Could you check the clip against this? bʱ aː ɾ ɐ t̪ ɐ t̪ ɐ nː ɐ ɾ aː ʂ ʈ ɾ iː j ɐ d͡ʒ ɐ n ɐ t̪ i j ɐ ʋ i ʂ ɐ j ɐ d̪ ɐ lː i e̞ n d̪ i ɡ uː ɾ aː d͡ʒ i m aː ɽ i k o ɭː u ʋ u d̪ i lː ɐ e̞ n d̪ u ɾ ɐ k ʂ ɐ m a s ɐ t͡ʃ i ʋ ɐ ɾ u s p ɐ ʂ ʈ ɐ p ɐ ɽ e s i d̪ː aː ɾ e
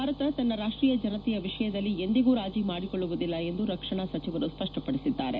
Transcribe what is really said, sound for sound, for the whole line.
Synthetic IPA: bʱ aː ɾ ɐ t̪ ɐ t̪ ɐ nː ɐ ɾ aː ʂ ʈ ɾ iː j ɐ d͡ʒ ɐ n ɐ t̪ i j ɐ ʋ i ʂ ɐ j ɐ d̪ ɐ lː i e̞ n d̪ i ɡ uː ɾ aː d͡ʒ i m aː ɽ i k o ɭː u ʋ u d̪ i lː ɐ e̞ n d̪ u ɾ ɐ k ʂ ɐ ɳ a s ɐ t͡ʃ i ʋ ɐ ɾ u s p ɐ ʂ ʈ ɐ p ɐ ɽ i s i d̪ː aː ɾ e